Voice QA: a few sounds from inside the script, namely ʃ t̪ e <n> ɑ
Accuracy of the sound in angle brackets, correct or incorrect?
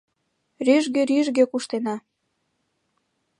correct